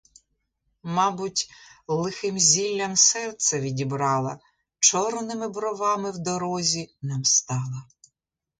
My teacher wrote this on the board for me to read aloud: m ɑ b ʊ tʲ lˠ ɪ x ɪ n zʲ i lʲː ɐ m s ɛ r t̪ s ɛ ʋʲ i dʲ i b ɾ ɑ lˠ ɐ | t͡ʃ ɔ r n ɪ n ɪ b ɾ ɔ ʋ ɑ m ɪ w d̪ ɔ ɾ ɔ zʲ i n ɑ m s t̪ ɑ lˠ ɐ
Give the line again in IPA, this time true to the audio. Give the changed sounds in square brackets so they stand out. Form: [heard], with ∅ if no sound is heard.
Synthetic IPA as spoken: m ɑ b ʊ tʲ lˠ ɪ x ɪ [m] zʲ i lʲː ɐ m s ɛ r t̪ s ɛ ʋʲ i dʲ i b ɾ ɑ lˠ ɐ | t͡ʃ ɔ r n ɪ [m] ɪ b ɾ ɔ ʋ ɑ m ɪ w d̪ ɔ ɾ ɔ zʲ i n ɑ m s t̪ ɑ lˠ ɐ